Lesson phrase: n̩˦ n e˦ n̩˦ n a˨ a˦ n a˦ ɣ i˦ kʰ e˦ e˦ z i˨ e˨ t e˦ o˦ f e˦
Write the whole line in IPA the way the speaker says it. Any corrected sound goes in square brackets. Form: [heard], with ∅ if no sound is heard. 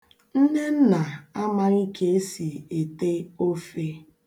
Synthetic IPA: n̩˦ n e˦ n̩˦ n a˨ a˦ [m] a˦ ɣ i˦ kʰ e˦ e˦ [s] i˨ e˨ t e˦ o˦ f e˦

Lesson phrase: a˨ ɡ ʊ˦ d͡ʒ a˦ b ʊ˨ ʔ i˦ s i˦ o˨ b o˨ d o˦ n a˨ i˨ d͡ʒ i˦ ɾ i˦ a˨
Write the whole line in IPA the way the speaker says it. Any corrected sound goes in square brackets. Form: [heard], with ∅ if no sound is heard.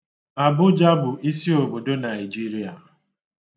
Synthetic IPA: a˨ [b] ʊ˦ d͡ʒ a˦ b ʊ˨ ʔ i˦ s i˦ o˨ b o˨ d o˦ n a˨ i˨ d͡ʒ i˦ ɾ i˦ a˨

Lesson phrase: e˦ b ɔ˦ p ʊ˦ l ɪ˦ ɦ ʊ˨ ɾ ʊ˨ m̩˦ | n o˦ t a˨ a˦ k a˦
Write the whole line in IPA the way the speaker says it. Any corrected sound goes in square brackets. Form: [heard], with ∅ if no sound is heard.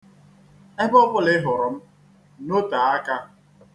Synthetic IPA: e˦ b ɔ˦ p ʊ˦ l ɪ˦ ɦ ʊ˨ ɾ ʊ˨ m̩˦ | n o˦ t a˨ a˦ k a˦

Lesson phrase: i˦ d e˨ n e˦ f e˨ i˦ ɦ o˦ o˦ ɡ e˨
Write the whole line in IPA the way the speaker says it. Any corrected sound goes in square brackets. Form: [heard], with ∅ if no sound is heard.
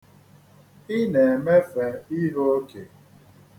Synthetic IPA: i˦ [n] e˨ [m] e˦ f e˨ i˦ ɦ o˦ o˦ [k] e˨

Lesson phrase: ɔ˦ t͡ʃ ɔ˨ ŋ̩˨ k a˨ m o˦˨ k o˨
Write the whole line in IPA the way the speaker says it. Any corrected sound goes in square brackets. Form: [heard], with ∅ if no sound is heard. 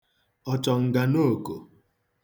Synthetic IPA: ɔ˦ t͡ʃ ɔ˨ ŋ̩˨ [ɡ] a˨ [n] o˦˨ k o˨

